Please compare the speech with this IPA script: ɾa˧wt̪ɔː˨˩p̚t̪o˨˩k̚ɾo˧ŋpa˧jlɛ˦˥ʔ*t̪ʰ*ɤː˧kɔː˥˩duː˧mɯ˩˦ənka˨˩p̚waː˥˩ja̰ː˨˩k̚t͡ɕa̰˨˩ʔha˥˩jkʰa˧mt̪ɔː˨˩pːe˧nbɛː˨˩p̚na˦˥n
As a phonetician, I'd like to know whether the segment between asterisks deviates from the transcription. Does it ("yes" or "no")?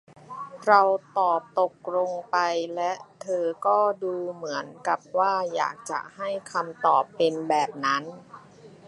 no